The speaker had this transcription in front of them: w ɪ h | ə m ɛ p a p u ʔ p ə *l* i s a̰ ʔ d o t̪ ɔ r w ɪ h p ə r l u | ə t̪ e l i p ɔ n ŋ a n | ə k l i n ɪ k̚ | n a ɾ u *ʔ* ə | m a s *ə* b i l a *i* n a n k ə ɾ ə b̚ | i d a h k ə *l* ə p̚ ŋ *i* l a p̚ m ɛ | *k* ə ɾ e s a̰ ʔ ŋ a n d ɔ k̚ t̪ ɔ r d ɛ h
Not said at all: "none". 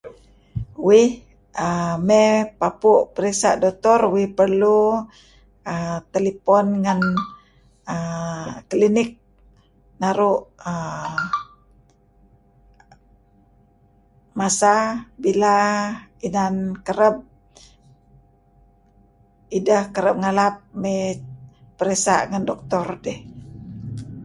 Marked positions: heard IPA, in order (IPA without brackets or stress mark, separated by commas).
ɾ, ʔ, a, i, ɾ, a, p